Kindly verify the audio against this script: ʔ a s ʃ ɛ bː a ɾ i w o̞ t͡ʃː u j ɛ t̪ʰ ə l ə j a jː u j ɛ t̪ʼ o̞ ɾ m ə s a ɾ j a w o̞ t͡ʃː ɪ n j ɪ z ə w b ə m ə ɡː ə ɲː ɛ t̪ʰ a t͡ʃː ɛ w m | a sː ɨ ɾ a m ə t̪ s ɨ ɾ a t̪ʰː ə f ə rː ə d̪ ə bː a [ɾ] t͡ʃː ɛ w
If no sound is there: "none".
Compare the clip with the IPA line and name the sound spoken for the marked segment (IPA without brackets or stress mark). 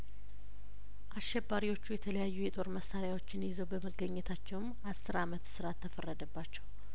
none